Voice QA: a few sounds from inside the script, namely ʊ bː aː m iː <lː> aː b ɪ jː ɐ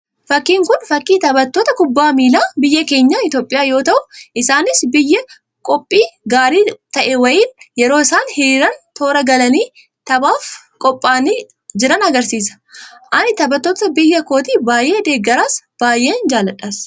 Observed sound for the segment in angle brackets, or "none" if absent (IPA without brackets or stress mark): l